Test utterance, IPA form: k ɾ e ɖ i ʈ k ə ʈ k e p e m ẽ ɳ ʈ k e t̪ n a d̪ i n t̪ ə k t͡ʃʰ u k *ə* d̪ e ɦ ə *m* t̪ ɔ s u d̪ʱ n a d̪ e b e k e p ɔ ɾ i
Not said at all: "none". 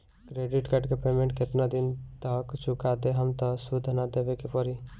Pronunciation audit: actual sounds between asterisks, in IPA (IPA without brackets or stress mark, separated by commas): a, m